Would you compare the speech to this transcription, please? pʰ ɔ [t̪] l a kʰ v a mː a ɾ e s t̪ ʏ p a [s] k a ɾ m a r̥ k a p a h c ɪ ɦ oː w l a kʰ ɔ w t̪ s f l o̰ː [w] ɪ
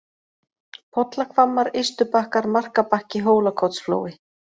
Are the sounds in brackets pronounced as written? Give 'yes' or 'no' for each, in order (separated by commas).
yes, no, yes